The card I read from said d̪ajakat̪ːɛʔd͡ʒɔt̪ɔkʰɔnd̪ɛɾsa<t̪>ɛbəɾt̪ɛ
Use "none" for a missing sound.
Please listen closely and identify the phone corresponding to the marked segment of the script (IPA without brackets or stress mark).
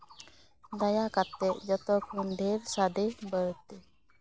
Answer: d̪